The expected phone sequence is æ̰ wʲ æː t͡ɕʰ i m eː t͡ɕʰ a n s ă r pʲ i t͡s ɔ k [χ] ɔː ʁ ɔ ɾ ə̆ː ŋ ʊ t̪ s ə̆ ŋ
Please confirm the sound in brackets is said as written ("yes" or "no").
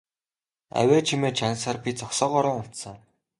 no